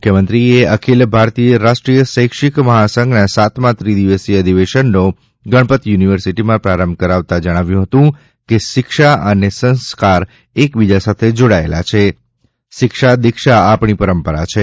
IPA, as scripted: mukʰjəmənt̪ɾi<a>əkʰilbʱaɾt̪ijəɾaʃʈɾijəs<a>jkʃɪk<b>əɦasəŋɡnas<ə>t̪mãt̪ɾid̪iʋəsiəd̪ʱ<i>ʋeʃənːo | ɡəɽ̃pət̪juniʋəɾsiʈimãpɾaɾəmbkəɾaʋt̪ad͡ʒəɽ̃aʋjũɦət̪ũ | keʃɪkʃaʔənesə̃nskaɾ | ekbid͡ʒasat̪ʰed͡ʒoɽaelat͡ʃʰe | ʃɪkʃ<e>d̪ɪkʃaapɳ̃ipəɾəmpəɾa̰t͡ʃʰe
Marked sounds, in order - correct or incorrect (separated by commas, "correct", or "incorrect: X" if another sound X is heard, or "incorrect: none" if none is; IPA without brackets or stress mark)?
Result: incorrect: e, incorrect: ə, incorrect: m, incorrect: a, correct, incorrect: a